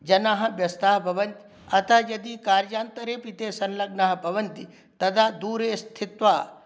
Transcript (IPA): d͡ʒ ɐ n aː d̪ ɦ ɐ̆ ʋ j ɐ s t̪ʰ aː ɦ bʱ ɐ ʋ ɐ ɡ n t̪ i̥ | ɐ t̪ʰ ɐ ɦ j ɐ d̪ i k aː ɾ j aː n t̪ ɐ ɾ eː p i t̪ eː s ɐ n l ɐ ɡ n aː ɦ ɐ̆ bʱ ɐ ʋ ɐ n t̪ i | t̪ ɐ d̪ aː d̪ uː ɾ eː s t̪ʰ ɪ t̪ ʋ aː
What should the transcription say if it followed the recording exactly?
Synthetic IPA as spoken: d͡ʒ ɐ n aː ɦ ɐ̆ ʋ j ɐ s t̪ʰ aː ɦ bʱ ɐ ʋ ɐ n t̪ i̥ | ɐ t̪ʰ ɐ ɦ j ɐ d̪ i k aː ɾ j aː n t̪ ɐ ɾ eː p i t̪ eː s ɐ n l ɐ ɡ n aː ɦ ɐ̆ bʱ ɐ ʋ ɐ n t̪ i | t̪ ɐ d̪ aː d̪ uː ɾ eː s t̪ʰ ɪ t̪ ʋ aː